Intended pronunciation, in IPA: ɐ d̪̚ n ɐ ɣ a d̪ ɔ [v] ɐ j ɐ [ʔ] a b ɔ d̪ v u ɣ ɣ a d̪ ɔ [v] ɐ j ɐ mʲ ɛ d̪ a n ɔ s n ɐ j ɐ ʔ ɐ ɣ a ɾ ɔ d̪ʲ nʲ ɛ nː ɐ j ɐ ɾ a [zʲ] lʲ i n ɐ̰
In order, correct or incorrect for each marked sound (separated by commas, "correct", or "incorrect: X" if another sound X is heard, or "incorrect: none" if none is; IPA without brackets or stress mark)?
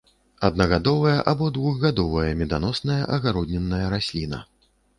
correct, correct, correct, incorrect: sʲ